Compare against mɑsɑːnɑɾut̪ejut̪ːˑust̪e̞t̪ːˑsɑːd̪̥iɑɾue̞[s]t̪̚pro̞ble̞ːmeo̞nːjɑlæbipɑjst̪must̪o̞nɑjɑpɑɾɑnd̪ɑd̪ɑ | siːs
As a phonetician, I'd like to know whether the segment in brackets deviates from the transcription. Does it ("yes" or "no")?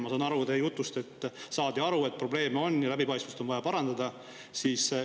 yes